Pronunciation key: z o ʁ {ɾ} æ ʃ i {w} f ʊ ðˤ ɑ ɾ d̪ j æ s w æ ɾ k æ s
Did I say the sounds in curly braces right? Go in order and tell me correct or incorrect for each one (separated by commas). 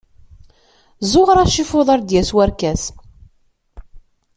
correct, incorrect